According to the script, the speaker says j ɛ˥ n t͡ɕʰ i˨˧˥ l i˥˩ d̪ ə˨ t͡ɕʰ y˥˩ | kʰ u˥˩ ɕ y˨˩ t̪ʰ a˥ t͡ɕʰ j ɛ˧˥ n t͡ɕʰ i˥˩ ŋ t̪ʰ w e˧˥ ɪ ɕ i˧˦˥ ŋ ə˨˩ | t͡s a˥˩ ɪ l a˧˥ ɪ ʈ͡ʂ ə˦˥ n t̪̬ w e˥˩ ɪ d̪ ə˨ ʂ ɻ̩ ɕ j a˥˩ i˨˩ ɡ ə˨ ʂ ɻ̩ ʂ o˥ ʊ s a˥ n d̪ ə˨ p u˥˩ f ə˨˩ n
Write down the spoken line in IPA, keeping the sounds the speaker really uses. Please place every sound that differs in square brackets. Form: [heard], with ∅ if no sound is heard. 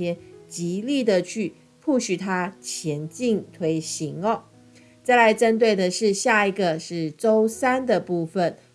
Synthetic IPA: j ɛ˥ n [t͡ɕ] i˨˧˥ l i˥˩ d̪ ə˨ t͡ɕʰ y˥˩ | [pʰ] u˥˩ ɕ y˨˩ t̪ʰ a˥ t͡ɕʰ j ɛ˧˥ n [t͡ɕ] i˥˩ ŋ t̪ʰ w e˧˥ ɪ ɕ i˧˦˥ ŋ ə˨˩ | t͡s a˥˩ ɪ l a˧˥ ɪ ʈ͡ʂ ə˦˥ n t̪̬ w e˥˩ ɪ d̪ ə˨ ʂ ɻ̩ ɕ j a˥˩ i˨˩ ɡ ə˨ ʂ ɻ̩ [ʈ͡ʂ] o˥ ʊ s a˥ n d̪ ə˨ p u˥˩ f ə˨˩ n